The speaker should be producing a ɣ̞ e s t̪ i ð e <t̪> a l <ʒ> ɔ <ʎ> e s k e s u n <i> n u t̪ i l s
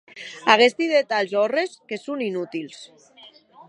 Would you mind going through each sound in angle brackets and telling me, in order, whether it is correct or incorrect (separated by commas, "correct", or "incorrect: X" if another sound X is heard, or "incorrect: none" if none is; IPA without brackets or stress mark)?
correct, incorrect: z, incorrect: r, correct